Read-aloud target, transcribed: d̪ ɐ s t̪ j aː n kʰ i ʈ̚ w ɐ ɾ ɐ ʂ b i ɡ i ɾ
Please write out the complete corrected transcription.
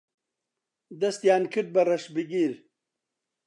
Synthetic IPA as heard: d̪ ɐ s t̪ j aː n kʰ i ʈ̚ b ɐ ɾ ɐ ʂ b i ɡ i ɾ

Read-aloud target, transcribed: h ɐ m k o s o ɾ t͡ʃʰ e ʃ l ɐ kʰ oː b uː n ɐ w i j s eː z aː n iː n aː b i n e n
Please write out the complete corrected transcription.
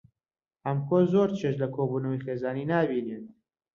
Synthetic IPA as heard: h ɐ m k o z o ɾ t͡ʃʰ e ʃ l ɐ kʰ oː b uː n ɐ w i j x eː z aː n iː n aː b i n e n

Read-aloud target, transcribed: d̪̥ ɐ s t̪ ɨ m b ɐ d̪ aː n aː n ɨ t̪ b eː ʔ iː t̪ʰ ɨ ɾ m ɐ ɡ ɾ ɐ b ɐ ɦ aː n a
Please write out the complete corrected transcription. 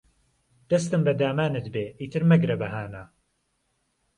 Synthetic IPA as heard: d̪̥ ɐ s t̪ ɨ m b ɐ d̪ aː m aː n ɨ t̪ b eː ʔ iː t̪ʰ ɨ ɾ m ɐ ɡ ɾ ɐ b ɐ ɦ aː n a

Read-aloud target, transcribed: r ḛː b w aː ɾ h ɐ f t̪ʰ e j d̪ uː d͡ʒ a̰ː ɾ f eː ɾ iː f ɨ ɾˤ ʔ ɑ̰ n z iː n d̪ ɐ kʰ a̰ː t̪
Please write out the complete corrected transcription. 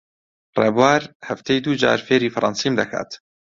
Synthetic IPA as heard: r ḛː b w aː ɾ h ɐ f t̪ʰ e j d̪ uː d͡ʒ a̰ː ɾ f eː ɾ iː f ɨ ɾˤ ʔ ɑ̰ n s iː m d̪ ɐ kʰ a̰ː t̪

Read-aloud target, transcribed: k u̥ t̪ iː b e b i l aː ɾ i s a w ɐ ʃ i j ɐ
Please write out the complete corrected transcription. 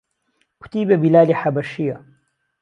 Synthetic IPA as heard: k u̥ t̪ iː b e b i l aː l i ħ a b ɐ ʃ i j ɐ

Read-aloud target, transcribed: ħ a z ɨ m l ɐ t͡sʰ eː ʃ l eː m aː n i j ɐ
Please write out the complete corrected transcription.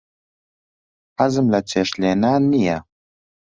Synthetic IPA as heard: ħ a z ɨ m l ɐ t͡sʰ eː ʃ l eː n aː n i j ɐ

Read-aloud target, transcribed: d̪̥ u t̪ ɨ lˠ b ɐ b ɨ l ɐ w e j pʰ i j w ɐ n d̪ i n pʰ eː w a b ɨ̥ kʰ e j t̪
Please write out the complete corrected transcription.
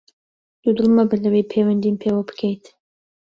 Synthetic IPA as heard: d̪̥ u d̪ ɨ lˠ m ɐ b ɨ l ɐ w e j pʰ e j w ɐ n d̪ i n pʰ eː w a b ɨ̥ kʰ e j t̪

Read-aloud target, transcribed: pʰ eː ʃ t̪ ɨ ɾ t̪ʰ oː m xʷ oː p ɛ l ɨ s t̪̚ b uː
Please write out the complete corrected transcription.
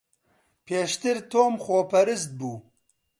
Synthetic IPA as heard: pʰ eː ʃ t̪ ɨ ɾ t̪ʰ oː m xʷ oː p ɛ ɾ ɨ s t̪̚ b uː

